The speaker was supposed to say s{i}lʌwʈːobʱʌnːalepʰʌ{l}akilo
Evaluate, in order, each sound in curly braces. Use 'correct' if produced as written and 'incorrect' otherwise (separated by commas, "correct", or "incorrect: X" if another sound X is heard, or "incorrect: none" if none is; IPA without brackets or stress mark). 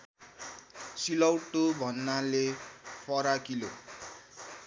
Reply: correct, incorrect: ɾ